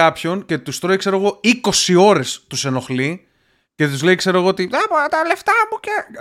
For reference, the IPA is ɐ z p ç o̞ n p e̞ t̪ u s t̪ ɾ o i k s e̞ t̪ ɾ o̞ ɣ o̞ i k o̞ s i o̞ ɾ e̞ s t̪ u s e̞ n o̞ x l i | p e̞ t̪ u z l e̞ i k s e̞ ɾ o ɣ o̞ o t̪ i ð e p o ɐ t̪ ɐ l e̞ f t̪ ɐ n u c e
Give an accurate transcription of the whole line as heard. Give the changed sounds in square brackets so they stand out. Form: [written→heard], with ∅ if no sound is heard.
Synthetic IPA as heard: ɐ [z→∅] p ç o̞ n [p→c] e̞ t̪ u s t̪ ɾ o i k s e̞ [t̪→∅] ɾ o̞ ɣ o̞ i k o̞ s i o̞ ɾ e̞ s t̪ u s e̞ n o̞ x l i | [p→c] e̞ t̪ u z l e̞ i k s e̞ ɾ o ɣ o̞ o t̪ i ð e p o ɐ t̪ ɐ l e̞ f t̪ ɐ [n→m] u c e